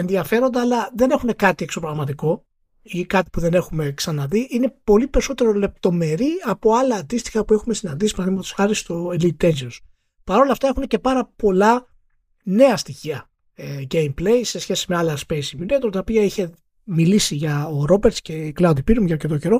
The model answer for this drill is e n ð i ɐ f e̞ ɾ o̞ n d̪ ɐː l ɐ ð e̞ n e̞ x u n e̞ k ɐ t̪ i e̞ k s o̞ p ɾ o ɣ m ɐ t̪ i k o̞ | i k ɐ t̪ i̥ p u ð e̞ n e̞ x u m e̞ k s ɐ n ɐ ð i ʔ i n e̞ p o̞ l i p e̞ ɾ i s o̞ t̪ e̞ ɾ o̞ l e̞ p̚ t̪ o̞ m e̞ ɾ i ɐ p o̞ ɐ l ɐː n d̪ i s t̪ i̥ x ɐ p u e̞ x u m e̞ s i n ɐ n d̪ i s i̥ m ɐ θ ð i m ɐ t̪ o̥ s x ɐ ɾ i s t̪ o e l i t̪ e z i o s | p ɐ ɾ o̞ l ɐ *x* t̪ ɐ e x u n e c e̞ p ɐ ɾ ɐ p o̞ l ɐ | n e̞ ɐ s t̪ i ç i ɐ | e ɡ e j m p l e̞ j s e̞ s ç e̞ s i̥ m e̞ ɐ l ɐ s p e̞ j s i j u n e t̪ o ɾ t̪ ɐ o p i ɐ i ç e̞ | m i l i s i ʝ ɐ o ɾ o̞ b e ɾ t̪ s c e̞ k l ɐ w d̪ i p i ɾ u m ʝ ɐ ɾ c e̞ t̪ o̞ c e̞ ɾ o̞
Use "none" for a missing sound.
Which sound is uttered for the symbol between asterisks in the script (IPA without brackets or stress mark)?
f